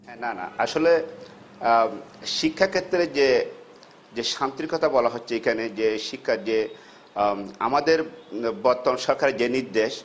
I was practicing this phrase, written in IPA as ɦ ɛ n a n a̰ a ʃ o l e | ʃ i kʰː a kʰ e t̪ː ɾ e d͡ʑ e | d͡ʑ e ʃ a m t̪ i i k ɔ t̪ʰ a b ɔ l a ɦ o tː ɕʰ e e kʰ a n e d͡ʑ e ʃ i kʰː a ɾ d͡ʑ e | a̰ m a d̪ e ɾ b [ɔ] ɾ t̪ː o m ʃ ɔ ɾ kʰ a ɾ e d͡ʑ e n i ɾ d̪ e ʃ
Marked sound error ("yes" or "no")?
no